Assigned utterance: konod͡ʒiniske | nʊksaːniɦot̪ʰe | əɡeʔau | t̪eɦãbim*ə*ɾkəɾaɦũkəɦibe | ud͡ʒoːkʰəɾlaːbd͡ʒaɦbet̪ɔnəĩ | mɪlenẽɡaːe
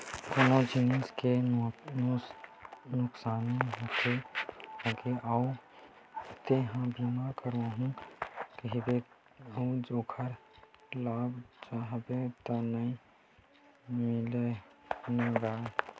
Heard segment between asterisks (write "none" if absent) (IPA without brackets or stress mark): a